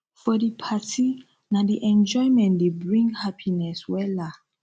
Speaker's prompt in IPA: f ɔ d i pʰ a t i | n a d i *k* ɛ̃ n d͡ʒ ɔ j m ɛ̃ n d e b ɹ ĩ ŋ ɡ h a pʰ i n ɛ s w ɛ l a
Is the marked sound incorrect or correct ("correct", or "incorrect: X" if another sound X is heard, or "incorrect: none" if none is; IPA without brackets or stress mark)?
incorrect: ʔ